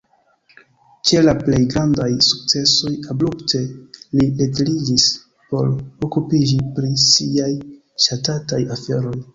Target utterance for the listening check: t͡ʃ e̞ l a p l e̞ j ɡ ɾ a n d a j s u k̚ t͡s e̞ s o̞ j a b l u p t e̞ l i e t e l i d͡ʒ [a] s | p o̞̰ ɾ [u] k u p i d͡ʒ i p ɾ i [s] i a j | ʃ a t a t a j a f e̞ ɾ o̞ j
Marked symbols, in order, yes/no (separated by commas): no, no, yes